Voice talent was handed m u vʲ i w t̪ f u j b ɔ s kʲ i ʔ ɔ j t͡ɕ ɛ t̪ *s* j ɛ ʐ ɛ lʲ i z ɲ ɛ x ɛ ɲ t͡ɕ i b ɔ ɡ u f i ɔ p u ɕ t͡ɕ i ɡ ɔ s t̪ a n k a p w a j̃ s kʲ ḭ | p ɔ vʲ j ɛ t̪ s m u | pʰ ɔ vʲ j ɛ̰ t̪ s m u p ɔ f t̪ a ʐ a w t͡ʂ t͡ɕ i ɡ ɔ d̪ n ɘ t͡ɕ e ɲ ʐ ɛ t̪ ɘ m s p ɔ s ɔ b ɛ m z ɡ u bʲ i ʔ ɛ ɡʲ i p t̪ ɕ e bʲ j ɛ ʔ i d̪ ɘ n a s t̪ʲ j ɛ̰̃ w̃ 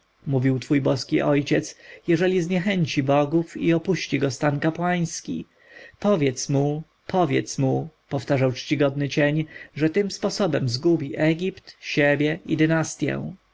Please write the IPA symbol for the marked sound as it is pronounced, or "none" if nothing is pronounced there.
s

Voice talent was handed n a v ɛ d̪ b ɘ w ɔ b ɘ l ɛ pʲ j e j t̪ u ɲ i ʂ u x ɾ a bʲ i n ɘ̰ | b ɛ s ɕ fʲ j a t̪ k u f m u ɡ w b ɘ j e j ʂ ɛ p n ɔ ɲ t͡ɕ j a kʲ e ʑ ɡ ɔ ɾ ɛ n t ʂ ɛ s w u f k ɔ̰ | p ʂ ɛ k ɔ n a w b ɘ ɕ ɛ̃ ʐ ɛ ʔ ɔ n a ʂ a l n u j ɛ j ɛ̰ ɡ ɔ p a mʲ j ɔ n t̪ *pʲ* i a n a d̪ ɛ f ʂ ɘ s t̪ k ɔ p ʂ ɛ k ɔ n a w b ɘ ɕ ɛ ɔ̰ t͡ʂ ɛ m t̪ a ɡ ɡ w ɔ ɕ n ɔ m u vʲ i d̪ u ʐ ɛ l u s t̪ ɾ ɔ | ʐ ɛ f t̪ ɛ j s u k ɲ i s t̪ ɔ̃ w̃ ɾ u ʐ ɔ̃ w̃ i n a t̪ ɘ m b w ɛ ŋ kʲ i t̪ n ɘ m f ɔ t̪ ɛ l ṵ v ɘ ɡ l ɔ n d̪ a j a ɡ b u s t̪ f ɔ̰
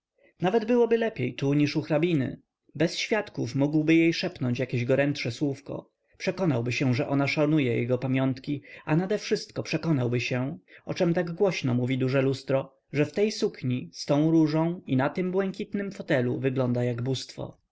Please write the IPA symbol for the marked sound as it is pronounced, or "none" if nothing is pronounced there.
kʲ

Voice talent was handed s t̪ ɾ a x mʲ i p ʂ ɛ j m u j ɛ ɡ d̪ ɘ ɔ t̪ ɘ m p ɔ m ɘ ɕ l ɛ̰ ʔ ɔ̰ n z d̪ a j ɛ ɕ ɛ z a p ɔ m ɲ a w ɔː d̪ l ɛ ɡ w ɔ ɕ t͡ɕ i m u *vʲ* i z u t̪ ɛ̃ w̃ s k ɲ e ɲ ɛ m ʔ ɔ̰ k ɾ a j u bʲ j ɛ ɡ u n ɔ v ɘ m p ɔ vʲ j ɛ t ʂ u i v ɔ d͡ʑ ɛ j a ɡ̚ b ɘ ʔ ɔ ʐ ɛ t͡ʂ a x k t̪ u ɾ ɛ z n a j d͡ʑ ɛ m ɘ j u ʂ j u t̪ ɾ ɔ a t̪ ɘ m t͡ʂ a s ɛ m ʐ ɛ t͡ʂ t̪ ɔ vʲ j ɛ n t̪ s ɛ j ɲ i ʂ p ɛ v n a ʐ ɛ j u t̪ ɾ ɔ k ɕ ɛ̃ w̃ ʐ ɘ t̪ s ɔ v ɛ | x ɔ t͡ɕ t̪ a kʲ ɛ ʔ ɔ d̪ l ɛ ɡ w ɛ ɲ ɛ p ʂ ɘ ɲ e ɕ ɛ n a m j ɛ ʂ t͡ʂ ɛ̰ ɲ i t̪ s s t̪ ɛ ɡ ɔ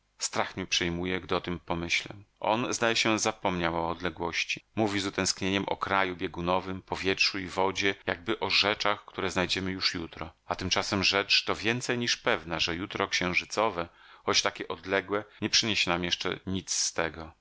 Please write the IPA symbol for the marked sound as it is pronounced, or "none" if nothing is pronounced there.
vʲ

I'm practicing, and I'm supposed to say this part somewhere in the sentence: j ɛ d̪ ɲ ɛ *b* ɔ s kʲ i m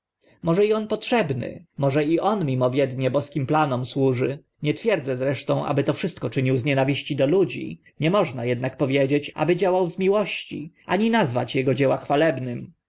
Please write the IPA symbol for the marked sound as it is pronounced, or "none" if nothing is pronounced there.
b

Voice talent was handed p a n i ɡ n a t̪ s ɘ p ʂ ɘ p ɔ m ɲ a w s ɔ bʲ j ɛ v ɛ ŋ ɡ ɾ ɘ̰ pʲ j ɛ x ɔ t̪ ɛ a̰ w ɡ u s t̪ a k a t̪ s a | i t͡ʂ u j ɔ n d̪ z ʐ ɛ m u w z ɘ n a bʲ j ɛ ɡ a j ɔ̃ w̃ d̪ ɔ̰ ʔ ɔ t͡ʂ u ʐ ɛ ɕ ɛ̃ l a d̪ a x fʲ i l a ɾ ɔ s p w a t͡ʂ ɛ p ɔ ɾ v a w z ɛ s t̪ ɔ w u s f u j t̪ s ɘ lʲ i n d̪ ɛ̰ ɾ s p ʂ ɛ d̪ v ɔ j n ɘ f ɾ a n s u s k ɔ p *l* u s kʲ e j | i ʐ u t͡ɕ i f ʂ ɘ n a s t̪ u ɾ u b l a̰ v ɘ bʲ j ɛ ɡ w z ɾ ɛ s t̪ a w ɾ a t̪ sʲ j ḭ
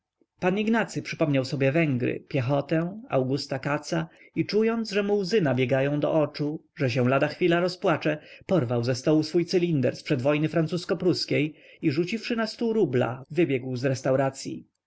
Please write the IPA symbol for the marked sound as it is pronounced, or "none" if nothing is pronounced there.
ɾ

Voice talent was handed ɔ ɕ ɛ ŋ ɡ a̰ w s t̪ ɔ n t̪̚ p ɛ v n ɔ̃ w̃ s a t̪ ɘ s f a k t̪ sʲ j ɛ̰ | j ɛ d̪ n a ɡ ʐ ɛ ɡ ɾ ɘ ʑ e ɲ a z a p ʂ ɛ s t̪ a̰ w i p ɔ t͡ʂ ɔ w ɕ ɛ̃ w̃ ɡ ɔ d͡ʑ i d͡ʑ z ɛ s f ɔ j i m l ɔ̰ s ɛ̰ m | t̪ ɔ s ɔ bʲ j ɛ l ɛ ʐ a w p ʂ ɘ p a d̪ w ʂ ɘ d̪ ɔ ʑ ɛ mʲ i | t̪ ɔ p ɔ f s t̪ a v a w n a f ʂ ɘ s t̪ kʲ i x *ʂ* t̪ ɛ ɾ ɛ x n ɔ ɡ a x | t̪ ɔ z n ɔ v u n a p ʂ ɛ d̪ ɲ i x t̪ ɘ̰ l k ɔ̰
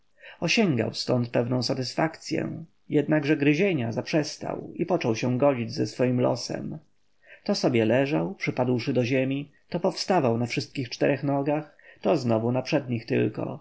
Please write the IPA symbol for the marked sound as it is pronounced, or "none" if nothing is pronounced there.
t͡ʂ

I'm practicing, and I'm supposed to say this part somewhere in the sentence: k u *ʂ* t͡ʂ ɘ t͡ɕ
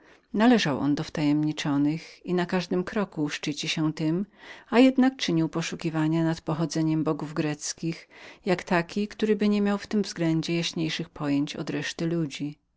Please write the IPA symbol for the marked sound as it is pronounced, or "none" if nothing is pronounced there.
ʂ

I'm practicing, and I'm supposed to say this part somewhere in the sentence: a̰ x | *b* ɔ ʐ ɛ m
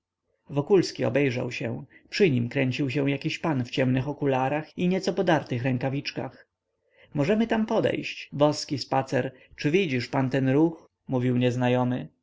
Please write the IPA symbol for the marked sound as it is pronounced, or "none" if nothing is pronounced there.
m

